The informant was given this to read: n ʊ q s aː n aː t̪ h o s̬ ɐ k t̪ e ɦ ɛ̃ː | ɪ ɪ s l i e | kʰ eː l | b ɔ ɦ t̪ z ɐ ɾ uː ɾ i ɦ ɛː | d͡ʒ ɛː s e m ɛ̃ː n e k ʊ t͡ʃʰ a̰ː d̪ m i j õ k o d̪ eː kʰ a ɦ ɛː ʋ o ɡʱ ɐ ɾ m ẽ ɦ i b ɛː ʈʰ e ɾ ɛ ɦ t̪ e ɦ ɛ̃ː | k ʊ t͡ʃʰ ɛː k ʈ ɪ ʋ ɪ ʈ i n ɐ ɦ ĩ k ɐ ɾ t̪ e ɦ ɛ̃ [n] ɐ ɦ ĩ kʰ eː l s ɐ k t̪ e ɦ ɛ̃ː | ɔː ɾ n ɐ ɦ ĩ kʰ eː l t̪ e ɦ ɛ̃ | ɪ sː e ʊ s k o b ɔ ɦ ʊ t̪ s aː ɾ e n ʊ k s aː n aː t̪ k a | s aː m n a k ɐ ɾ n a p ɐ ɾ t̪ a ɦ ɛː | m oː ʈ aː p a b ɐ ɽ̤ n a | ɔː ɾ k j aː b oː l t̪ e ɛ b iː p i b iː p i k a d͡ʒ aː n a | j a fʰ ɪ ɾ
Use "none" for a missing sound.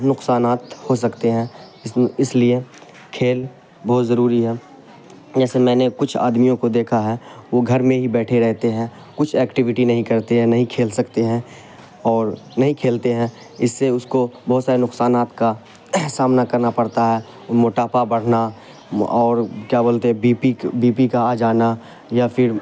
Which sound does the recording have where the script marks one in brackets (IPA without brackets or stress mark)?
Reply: n